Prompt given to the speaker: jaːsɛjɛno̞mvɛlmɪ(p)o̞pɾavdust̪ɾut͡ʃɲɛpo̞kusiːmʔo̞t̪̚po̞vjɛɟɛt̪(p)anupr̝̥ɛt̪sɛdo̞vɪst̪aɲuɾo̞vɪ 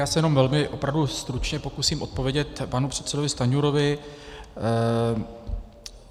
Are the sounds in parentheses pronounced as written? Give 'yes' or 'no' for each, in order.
no, yes

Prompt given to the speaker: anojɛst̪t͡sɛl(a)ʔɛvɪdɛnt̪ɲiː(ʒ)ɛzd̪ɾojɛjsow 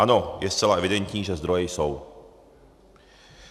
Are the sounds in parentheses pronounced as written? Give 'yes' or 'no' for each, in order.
yes, yes

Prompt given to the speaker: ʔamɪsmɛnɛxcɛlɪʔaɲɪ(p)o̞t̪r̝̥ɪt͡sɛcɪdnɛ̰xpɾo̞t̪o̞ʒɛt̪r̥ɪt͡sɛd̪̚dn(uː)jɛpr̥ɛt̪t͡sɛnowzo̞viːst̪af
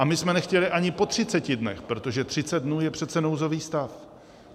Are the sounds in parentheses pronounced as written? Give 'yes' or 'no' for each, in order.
yes, yes

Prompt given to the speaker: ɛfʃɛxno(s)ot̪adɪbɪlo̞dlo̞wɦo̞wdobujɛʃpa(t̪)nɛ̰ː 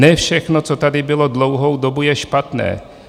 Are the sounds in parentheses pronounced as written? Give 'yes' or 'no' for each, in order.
no, yes

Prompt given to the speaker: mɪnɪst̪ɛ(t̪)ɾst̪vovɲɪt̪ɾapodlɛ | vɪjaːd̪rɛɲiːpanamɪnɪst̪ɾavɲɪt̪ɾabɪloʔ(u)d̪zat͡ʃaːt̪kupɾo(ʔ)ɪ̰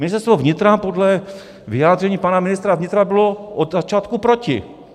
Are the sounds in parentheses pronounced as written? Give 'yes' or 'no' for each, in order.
no, no, no

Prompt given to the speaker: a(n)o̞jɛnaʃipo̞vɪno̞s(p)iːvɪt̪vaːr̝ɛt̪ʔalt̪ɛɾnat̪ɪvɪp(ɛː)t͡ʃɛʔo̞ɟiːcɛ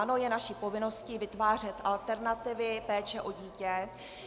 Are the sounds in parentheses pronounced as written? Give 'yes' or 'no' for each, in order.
yes, no, yes

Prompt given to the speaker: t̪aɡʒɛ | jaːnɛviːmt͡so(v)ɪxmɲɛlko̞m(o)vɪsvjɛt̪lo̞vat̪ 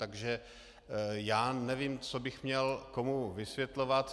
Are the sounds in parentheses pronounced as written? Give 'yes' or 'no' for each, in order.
no, no

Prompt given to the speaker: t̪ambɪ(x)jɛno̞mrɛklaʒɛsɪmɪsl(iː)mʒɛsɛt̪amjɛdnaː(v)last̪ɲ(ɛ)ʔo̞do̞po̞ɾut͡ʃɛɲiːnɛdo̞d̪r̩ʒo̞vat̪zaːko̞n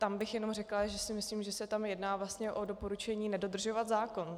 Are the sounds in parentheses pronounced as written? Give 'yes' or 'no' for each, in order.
yes, yes, yes, yes

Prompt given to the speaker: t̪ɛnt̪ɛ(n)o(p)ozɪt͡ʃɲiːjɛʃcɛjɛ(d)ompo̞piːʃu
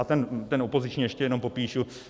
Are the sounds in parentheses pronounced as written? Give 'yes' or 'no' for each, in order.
yes, yes, no

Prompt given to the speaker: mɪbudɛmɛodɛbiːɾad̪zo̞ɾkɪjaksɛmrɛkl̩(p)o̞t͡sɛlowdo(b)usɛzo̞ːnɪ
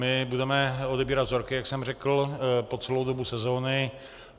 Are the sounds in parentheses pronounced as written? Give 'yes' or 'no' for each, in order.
yes, yes

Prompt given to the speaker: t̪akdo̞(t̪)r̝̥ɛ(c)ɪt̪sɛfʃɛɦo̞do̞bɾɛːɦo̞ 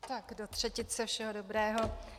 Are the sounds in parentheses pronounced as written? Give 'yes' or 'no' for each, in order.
yes, yes

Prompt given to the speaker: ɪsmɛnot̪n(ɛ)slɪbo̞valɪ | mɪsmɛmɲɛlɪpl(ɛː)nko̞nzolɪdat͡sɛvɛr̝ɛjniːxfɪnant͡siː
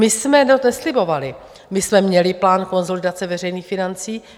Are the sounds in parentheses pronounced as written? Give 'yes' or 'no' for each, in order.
yes, no

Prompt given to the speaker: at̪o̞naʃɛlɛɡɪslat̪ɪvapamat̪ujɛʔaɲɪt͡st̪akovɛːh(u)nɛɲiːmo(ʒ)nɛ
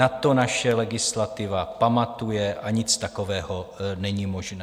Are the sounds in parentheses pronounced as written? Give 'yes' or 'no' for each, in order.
no, yes

